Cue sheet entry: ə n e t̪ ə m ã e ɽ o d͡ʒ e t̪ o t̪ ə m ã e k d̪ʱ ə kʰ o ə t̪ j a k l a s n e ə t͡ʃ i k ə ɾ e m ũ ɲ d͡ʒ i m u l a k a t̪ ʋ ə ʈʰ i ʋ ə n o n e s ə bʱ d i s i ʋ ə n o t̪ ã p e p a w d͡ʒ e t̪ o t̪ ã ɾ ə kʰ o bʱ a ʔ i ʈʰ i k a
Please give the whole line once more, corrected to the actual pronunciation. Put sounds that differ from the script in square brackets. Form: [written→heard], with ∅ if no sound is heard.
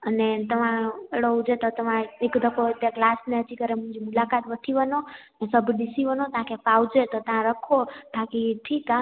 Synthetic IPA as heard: ə n e t̪ ə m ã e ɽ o d͡ʒ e t̪ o t̪ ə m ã e k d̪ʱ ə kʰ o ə t̪ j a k l a s n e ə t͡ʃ i k ə ɾ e m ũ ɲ d͡ʒ i m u l a k a t̪ ʋ ə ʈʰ i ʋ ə n o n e s ə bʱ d i s i ʋ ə n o t̪ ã [p→k] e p a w d͡ʒ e t̪ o t̪ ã ɾ ə kʰ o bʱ a [ʔ→k] i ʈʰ i k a